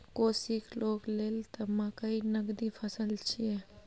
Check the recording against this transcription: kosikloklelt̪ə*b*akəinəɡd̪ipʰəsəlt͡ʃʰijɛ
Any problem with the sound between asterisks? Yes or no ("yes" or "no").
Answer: yes